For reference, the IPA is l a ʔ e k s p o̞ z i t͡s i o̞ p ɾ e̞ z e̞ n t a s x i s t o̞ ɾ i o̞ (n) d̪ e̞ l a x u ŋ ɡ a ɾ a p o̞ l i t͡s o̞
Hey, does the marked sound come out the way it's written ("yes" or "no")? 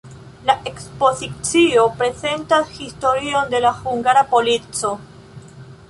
yes